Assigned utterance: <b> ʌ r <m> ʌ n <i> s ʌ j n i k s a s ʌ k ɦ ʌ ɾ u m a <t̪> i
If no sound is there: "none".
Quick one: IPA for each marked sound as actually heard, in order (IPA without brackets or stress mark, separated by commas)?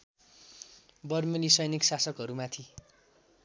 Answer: b, m, i, t̪ʰ